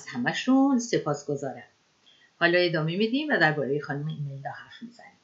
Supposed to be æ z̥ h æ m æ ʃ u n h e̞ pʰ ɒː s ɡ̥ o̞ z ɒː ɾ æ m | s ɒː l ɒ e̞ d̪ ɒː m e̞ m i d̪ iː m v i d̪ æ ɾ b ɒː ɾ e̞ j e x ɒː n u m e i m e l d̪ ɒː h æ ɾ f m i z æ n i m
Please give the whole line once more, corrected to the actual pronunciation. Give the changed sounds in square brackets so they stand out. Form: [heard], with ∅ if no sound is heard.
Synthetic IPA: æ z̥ h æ m æ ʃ u n [s] e̞ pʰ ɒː s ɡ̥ o̞ z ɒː ɾ æ m | [h] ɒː l ɒ e̞ d̪ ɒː m e̞ m i d̪ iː m v [æ] d̪ æ ɾ b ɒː ɾ e̞ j e x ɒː n u m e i m e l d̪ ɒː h æ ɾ f m i z æ n i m